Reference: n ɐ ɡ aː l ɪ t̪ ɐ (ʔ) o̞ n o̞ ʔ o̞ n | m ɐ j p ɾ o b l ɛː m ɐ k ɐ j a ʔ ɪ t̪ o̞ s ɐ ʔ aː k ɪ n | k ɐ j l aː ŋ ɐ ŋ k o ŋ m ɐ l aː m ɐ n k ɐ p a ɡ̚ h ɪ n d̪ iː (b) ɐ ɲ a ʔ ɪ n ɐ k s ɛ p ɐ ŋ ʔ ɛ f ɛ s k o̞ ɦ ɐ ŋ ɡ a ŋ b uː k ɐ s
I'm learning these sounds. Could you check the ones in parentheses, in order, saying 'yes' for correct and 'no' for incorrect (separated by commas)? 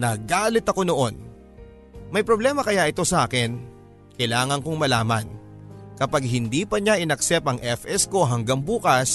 no, no